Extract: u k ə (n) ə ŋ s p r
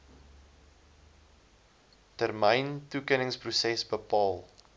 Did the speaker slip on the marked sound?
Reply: no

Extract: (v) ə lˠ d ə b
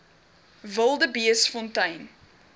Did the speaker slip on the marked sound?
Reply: no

